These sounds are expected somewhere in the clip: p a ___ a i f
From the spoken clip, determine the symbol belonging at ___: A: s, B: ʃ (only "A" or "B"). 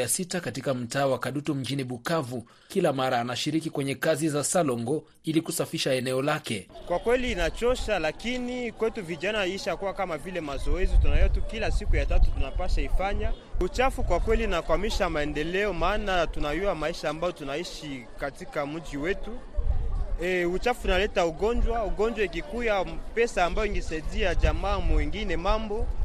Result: B